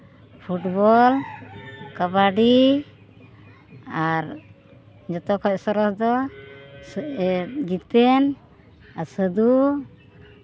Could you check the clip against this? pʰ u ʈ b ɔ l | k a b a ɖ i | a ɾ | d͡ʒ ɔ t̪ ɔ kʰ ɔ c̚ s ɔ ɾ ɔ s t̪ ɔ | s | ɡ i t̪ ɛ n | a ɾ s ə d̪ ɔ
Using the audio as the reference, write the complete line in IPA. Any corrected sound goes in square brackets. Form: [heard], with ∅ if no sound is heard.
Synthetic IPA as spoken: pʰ u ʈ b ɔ l | k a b a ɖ i | a ɾ | d͡ʒ ɔ t̪ ɔ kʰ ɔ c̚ s ɔ ɾ ɔ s [d̪] ɔ | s | ɡ i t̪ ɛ n | a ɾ s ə d̪ [u]